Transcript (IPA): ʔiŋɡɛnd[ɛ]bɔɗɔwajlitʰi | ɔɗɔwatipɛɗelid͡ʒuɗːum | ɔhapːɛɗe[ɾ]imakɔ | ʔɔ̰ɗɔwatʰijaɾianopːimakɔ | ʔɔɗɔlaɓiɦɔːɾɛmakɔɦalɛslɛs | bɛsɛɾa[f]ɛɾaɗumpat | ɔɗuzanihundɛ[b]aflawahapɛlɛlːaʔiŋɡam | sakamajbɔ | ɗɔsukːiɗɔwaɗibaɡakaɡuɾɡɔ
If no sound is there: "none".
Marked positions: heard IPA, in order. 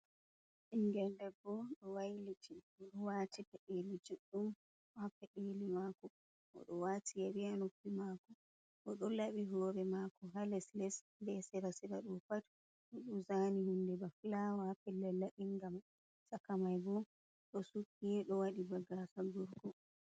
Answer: ɛ, l, s, b

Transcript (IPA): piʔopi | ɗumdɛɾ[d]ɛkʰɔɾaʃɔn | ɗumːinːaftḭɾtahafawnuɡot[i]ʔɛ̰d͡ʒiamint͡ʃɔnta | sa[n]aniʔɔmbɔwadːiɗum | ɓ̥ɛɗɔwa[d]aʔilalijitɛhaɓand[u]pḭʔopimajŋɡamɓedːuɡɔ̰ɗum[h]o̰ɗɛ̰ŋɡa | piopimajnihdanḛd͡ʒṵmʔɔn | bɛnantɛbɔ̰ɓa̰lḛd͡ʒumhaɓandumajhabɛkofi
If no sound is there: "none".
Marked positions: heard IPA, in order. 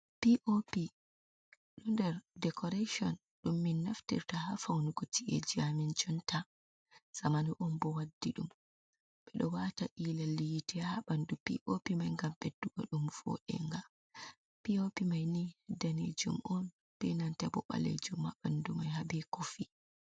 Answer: d, i, m, t, u, f

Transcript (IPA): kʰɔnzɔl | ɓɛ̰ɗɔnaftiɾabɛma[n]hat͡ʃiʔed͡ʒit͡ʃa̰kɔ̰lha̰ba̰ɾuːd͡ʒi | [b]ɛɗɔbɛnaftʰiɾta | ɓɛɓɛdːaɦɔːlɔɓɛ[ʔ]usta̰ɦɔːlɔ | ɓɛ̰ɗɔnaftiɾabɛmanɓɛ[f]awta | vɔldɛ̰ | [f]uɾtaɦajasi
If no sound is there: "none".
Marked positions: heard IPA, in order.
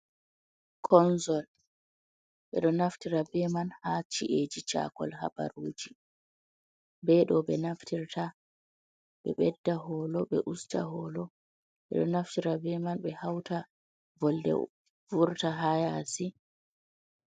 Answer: n, b, ʔ, h, v

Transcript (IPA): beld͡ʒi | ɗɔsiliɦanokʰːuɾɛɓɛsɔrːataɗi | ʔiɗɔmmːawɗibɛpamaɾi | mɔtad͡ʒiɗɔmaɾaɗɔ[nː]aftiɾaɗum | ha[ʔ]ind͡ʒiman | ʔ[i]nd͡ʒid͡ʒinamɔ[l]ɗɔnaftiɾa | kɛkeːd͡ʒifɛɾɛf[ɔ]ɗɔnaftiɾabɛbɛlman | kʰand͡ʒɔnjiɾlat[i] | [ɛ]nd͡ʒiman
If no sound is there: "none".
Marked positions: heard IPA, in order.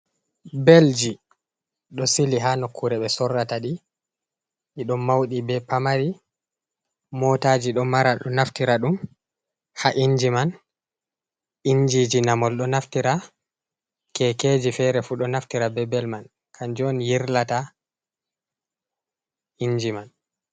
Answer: n, ʔ, i, l, u, a, i

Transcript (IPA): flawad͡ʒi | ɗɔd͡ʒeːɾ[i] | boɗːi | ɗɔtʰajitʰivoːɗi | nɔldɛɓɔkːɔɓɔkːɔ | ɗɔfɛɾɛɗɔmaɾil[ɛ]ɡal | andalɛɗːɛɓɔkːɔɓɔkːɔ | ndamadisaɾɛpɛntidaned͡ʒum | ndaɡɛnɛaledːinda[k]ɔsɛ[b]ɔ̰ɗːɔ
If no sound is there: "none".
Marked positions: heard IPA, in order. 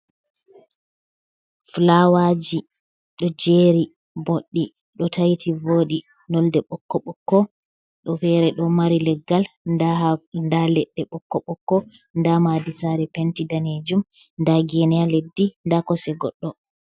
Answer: i, ɛ, k, ɡ

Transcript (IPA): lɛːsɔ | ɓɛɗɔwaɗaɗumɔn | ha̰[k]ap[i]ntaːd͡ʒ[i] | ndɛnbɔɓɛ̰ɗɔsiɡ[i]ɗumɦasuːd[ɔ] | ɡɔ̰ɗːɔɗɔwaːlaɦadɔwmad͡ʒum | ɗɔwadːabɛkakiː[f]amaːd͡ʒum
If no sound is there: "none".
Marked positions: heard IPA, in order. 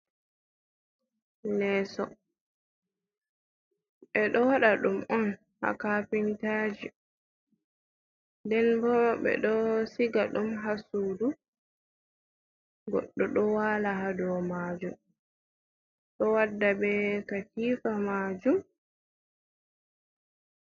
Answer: k, i, i, a, u, f

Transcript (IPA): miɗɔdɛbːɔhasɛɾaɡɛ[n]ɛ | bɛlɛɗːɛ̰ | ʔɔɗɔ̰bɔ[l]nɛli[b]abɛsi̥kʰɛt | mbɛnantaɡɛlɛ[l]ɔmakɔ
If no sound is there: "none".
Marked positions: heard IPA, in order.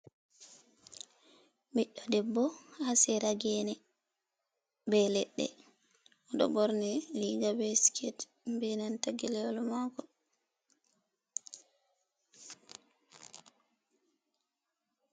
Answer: n, ɾ, ɡ, l

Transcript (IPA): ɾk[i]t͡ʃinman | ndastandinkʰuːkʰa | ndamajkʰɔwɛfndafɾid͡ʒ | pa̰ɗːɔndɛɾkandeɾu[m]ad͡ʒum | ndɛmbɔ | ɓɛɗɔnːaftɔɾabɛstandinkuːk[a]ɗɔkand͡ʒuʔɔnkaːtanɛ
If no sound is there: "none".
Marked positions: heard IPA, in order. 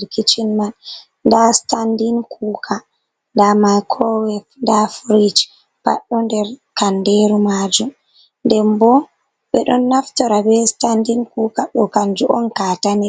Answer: i, m, a

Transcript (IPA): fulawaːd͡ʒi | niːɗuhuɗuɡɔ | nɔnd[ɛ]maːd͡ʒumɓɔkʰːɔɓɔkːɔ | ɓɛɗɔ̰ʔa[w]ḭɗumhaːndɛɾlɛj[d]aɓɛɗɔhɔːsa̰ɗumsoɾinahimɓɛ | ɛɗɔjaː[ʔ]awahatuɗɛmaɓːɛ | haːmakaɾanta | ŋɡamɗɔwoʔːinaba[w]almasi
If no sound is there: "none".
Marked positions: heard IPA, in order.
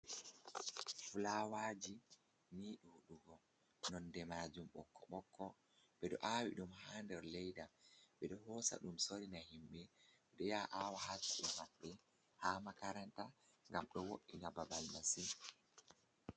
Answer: ɛ, w, d, ʔ, b

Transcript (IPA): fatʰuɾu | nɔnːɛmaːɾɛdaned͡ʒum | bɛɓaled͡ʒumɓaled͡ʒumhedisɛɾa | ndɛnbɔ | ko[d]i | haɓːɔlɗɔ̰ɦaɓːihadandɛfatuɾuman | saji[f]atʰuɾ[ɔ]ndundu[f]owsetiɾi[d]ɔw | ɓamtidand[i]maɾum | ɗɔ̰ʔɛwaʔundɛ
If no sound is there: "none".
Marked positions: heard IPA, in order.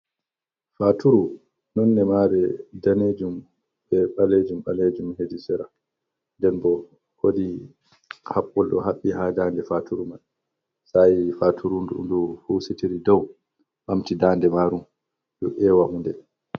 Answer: d, f, u, h, d, ɛ

